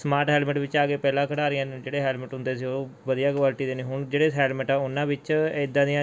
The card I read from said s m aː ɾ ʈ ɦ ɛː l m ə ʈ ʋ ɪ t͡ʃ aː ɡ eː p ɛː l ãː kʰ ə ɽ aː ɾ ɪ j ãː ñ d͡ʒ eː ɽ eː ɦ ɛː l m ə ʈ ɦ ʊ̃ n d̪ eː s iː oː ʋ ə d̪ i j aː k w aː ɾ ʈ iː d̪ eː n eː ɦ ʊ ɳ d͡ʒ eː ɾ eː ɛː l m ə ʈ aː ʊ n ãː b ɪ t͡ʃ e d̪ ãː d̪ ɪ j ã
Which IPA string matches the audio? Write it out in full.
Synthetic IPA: s m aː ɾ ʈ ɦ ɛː l m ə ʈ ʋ ɪ t͡ʃ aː ɡ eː p ɛː l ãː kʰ ə ɽ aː ɾ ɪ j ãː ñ d͡ʒ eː ɽ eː ɦ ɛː l m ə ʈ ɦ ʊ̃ n d̪ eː s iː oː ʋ ə d̪ i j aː k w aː l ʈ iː d̪ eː n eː ɦ ʊ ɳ d͡ʒ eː ɽ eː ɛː l m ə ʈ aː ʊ n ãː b ɪ t͡ʃ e d̪ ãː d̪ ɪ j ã